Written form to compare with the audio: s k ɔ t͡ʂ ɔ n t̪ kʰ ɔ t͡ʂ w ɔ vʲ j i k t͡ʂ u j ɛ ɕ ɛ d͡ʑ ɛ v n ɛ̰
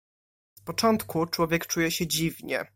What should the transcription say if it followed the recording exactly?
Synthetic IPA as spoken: s p ɔ t͡ʂ ɔ n t̪ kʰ u t͡ʂ w ɔ vʲ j ɛ k t͡ʂ u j ɛ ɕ ɛ d͡ʑ i v ɲ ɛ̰